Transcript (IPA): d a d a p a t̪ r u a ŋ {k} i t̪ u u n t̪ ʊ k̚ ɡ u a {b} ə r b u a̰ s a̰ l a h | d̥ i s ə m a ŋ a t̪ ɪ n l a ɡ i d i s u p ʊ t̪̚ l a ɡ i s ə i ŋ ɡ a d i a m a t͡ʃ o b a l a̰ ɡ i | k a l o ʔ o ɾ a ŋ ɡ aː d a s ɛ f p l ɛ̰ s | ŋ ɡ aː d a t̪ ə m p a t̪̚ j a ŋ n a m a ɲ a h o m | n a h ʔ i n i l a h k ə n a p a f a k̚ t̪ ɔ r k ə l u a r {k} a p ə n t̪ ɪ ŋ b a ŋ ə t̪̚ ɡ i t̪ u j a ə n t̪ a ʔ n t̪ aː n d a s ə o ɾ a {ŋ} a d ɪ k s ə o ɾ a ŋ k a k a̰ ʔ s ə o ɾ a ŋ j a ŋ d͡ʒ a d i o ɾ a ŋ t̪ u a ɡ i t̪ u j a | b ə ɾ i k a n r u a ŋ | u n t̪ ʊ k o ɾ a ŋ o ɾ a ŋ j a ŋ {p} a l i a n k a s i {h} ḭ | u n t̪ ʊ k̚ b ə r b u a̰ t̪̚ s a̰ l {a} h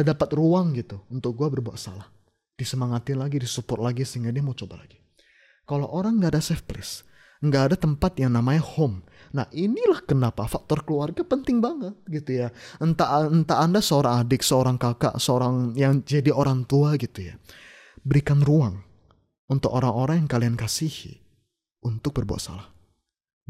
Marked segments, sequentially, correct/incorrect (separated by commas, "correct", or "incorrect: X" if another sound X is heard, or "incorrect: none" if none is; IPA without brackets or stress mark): incorrect: ɡ, correct, incorrect: ɡ, correct, incorrect: k, correct, correct